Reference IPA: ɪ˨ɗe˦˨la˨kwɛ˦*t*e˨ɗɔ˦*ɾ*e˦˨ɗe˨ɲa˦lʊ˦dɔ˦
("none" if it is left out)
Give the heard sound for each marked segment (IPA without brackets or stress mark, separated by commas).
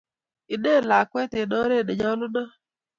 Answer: t, ɾ